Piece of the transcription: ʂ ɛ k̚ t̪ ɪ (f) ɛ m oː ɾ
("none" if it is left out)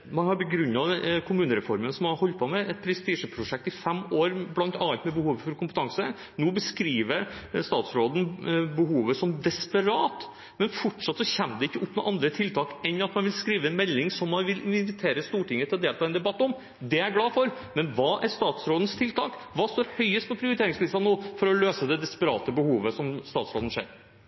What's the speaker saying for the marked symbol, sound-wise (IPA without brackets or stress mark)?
f